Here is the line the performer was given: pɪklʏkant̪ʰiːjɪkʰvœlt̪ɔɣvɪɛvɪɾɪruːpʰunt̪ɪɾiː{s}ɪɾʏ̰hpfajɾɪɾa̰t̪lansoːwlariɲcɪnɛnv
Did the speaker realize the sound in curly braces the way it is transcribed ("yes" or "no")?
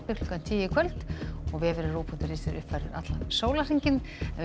yes